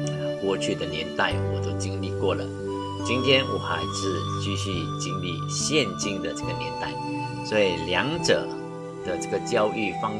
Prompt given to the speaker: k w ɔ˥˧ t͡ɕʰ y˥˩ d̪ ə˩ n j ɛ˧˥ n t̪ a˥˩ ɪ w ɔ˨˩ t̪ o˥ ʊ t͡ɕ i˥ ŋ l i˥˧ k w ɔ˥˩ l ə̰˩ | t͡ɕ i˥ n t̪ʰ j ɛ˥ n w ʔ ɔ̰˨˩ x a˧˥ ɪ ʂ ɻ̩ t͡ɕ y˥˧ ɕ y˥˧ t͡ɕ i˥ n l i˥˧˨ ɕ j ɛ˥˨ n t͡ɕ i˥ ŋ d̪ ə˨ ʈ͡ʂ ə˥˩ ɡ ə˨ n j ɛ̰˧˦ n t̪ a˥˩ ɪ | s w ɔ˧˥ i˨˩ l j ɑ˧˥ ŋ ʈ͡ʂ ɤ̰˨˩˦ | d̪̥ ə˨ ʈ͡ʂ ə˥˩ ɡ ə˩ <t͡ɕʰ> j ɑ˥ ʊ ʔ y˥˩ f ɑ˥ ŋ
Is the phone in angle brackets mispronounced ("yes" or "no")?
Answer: yes